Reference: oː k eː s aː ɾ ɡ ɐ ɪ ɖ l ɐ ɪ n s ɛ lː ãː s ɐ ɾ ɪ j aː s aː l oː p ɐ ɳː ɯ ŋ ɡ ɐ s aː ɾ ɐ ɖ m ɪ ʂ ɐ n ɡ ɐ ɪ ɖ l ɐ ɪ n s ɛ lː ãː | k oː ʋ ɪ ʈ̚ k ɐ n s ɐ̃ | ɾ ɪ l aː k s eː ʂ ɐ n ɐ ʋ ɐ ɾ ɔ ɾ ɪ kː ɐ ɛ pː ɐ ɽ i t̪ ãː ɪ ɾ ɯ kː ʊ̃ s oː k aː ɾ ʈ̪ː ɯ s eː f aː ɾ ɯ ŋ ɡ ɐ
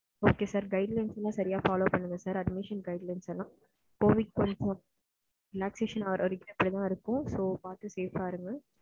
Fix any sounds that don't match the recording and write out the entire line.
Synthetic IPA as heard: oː k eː s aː ɾ ɡ ɐ ɪ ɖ l ɐ ɪ n s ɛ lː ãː s ɐ ɾ ɪ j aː f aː l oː p ɐ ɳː ɯ ŋ ɡ ɐ s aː ɾ ɐ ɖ m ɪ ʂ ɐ n ɡ ɐ ɪ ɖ l ɐ ɪ n s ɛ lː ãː | k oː ʋ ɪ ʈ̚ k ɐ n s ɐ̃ | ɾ ɪ l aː k s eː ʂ ɐ n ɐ ʋ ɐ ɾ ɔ ɾ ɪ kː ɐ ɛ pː ɐ ɽ i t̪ ãː ɪ ɾ ɯ kː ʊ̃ s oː p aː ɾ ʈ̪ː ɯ s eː f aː ɾ ɯ ŋ ɡ ɐ

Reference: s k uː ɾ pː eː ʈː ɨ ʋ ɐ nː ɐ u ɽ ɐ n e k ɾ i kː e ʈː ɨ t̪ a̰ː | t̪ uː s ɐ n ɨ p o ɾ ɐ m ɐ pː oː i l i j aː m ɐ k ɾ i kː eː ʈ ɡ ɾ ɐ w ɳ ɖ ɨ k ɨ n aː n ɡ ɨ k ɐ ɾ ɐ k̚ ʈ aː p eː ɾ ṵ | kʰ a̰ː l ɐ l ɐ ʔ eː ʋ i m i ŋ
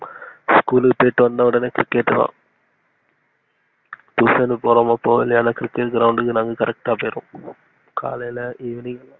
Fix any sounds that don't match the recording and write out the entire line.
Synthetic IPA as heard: s k uː l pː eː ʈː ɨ ʋ ɐ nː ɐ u ɽ ɐ n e k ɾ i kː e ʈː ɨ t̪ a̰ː | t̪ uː s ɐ n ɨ p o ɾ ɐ m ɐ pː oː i l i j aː n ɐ k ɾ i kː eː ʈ ɡ ɾ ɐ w ɳ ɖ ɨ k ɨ n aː ŋ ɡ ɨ k ɐ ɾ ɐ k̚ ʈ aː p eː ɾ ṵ | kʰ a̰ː l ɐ l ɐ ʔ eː ʋ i n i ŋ

